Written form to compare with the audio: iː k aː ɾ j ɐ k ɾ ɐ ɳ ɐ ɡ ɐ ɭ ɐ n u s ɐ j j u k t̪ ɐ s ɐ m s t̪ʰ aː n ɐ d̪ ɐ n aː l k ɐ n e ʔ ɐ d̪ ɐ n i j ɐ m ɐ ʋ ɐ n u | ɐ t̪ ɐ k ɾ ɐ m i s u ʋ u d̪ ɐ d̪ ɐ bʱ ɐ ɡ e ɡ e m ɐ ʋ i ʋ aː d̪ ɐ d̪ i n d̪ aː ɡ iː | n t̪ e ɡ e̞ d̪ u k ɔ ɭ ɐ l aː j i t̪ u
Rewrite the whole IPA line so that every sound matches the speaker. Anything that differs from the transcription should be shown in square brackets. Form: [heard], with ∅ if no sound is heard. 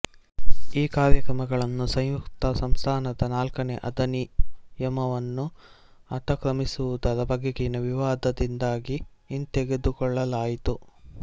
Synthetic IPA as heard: iː k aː ɾ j ɐ k ɾ ɐ [m] ɐ ɡ ɐ ɭ ɐ [nː] u s ɐ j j u k t̪ ɐ s ɐ m s t̪ʰ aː n ɐ d̪ ɐ n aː l k ɐ n e ʔ ɐ d̪ ɐ n i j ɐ m ɐ ʋ ɐ [nː] u | ɐ t̪ ɐ k ɾ ɐ m i s u ʋ u d̪ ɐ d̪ ɐ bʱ ɐ ɡ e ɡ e [n] ɐ ʋ i ʋ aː d̪ ɐ d̪ i n d̪ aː ɡ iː | n t̪ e ɡ e̞ d̪ u k ɔ [ɭː] ɐ l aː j i t̪ u